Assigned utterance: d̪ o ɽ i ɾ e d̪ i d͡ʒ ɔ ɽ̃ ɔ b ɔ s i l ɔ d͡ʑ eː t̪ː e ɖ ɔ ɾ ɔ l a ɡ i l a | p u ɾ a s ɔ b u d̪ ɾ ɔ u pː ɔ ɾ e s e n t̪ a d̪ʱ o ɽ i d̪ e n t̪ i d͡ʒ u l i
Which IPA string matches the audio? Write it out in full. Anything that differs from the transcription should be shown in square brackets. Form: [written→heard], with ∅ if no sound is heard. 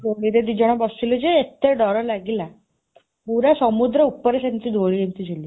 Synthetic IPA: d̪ o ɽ i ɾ e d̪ i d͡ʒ ɔ ɽ̃ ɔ b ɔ s i l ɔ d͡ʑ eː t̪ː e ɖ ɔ ɾ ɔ l a ɡ i l a | p u ɾ a s ɔ [b→m] u d̪ ɾ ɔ u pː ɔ ɾ e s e n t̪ [a→i] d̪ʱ o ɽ i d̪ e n t̪ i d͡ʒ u l i